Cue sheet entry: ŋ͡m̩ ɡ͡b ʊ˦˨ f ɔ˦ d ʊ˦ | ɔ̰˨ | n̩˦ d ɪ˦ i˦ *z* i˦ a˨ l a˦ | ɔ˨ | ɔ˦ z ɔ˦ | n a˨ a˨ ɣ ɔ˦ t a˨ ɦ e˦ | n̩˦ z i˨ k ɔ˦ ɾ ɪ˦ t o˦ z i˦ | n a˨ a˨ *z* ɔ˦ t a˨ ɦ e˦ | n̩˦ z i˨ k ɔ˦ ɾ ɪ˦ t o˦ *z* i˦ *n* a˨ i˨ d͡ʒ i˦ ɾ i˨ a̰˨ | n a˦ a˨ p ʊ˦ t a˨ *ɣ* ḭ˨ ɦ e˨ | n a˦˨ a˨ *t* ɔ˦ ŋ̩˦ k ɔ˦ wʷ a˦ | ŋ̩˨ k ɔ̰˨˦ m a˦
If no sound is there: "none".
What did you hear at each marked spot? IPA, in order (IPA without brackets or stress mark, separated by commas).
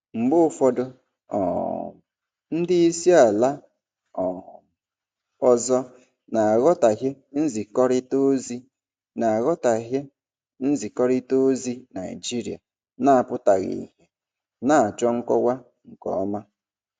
s, ɣ, z, n, ɣ, t͡ʃ